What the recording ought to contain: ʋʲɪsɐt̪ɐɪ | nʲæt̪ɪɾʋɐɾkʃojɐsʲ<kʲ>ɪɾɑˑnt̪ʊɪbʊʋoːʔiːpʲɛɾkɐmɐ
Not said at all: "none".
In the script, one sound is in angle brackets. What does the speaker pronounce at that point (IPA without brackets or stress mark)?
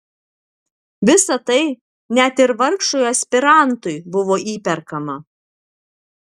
pʲ